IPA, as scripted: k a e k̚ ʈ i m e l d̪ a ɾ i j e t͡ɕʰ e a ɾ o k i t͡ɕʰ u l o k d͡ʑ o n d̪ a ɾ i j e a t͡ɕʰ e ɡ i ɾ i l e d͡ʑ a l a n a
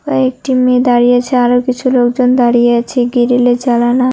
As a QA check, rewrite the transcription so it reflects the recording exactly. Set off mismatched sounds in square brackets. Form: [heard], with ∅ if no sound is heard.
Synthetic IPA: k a e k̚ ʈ i m e [∅] d̪ a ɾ i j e t͡ɕʰ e a ɾ o k i t͡ɕʰ u l o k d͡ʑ o n d̪ a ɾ i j e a t͡ɕʰ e ɡ i ɾ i l e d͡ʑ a l a n a